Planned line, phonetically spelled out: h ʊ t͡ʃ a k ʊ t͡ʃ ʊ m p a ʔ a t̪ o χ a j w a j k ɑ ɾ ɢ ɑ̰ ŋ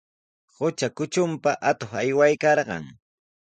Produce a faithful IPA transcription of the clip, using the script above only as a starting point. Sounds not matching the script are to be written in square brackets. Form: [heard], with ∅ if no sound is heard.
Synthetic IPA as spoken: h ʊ t͡ʃ a k ʊ t͡ʃ ʊ m p a ʔ a t̪ o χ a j w a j k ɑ ɾ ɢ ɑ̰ ŋ